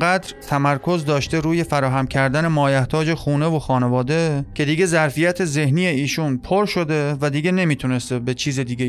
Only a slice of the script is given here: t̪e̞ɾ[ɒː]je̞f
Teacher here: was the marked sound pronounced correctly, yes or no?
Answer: no